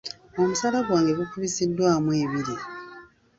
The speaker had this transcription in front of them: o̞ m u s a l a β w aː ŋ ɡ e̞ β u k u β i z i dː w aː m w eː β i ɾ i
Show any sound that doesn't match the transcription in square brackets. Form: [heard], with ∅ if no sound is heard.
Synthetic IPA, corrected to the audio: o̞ m u s a l a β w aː ŋ ɡ e̞ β u k u β i [s] i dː w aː m w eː β i ɾ i